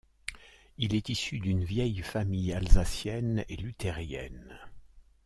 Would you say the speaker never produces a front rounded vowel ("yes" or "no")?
no